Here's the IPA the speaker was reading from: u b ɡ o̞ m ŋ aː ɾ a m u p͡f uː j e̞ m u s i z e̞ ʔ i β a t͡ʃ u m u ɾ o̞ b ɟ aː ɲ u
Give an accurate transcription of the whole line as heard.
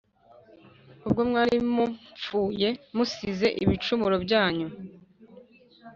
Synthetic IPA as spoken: u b ɡ o̞ m ŋ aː ɾ i m u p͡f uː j e̞ m u s i z e̞ ʔ i β i t͡ʃ u m u ɾ o̞ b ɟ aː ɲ u